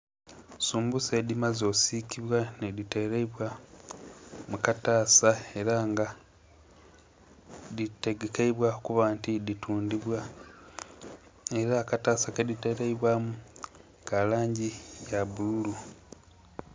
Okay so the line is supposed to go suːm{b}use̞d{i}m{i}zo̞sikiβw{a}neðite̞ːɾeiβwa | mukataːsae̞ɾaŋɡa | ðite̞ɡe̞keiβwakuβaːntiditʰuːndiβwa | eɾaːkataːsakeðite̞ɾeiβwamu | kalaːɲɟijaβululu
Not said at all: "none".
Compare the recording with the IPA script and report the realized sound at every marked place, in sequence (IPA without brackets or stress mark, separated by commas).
b, i, a, a